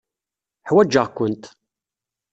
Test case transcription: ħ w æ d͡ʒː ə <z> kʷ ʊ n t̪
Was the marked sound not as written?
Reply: yes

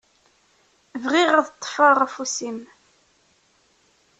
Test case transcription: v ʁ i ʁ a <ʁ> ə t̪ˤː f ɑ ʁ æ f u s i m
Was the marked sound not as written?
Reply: yes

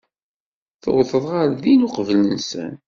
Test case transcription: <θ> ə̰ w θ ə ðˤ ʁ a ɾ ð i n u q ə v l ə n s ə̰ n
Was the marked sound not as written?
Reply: no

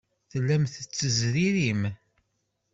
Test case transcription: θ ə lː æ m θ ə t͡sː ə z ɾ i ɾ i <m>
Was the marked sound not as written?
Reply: no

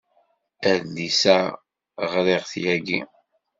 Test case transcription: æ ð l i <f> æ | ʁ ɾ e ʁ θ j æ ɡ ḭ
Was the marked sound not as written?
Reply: yes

